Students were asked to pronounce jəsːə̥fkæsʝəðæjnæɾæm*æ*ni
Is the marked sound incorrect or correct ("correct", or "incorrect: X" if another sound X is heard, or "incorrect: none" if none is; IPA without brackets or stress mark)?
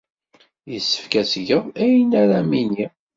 incorrect: i